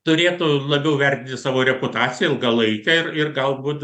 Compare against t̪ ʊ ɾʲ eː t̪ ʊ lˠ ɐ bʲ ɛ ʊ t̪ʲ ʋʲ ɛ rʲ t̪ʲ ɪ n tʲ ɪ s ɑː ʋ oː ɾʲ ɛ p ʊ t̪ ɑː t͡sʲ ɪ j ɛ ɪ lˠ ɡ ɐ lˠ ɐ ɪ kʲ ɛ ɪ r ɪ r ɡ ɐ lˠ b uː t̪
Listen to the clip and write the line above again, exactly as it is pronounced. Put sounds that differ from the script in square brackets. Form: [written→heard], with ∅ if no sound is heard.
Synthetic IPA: t̪ ʊ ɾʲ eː t̪ ʊ lˠ ɐ bʲ ɛ ʊ [t̪ʲ→∅] ʋʲ ɛ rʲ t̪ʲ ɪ n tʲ ɪ s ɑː ʋ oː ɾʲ ɛ p ʊ t̪ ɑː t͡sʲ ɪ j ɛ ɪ lˠ ɡ ɐ lˠ ɐ ɪ kʲ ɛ ɪ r ɪ r ɡ ɐ lˠ b uː t̪